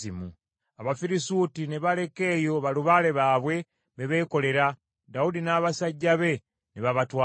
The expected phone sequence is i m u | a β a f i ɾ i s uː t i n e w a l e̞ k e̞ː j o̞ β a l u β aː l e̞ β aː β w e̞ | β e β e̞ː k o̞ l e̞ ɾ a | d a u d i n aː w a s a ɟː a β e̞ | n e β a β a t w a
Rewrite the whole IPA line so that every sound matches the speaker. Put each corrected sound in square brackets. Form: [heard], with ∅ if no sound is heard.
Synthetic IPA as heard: i m u | a β a f i ɾ i s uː t i n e [β] a l e̞ k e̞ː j o̞ β a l u β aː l e̞ β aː β w e̞ | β e β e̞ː k o̞ l e̞ ɾ a | d a u d i n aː [β] a s a ɟː a β e̞ | n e β a β a t w a